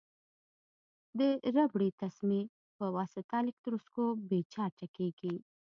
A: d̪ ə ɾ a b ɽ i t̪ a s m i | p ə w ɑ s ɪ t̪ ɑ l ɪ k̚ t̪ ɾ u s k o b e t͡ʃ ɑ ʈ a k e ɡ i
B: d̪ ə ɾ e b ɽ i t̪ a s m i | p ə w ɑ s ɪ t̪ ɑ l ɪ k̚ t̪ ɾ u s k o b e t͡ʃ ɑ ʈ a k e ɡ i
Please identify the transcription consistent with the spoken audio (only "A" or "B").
A